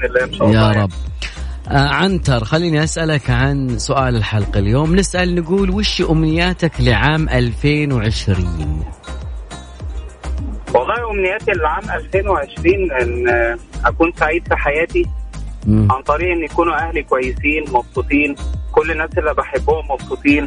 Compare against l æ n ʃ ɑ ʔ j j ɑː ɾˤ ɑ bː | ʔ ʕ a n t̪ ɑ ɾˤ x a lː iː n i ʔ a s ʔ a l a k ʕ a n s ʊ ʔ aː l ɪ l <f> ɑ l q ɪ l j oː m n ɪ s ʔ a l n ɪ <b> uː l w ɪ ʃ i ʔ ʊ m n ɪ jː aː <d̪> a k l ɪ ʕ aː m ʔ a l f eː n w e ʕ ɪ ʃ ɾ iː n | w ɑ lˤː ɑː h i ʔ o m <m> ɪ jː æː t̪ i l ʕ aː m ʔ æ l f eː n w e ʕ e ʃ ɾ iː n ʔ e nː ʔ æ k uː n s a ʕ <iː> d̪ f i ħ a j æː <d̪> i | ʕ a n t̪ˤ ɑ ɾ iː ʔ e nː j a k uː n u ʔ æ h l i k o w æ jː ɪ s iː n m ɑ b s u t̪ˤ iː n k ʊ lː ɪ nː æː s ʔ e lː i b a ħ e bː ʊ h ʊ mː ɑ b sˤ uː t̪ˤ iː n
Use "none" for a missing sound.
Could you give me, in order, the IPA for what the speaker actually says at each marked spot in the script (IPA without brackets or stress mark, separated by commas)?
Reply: ħ, ɡ, t̪, n, iː, t̪